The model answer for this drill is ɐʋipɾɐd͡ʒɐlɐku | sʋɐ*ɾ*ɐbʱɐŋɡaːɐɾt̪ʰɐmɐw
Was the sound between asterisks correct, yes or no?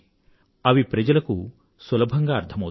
no